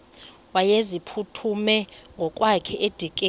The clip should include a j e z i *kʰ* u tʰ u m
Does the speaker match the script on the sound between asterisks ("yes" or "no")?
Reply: no